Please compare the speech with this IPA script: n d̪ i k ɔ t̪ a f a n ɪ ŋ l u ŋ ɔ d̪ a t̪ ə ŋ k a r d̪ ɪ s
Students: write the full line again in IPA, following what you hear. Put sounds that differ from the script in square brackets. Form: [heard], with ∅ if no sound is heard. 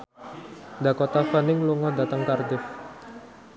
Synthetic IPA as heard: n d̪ [a] k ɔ t̪ a f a n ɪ ŋ l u ŋ ɔ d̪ a t̪ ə ŋ k a r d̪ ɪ [f]